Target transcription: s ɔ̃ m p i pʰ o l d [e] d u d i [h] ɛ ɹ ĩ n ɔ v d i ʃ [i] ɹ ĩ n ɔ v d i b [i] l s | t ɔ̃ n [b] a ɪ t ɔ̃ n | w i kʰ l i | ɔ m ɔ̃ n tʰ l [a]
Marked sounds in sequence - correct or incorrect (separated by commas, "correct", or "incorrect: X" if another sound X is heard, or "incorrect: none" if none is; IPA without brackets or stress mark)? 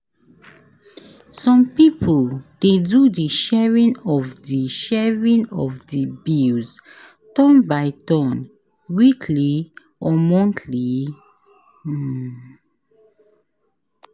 correct, incorrect: ʃ, incorrect: ɛ, correct, correct, incorrect: i